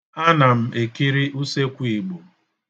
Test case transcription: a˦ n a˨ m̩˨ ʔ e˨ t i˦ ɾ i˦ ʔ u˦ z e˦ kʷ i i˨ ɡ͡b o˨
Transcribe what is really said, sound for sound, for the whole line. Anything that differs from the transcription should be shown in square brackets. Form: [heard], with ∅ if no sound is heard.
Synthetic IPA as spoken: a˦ n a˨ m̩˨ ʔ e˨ [k] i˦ ɾ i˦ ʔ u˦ [s] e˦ kʷ i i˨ ɡ͡b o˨